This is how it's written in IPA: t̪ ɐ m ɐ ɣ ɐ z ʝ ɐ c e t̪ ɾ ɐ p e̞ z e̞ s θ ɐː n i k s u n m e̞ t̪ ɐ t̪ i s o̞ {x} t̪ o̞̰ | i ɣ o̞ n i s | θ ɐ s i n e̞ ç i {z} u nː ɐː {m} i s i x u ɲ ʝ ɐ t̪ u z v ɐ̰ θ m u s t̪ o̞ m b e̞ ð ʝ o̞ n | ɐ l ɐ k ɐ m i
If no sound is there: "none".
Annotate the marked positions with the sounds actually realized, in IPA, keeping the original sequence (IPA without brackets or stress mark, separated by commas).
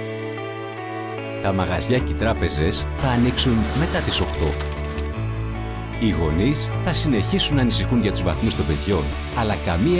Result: x, s, n